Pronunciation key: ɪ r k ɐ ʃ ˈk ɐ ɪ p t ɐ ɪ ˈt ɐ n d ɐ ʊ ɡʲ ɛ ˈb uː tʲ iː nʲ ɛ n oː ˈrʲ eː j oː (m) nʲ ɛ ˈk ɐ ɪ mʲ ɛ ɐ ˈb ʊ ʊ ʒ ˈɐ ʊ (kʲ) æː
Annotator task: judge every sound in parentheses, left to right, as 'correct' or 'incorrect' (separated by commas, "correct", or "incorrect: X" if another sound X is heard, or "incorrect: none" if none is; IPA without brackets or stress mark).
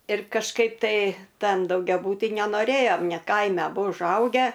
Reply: correct, incorrect: ɡʲ